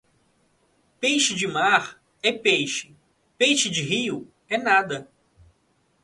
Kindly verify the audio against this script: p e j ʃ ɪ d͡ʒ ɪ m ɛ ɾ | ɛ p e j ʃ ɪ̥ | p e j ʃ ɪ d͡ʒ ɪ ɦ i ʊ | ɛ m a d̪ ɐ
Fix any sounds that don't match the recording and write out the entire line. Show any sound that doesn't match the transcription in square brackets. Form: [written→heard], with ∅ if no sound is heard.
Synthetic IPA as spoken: p e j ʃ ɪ d͡ʒ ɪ m [ɛ→a] ɾ | ɛ p e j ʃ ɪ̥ | p e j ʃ ɪ d͡ʒ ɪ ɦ i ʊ | ɛ [m→n] a d̪ ɐ